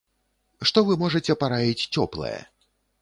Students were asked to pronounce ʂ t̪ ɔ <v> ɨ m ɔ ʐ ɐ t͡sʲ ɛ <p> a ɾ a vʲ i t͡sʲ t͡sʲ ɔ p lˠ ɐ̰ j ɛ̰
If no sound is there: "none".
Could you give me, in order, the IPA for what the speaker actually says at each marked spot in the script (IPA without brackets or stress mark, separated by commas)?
v, p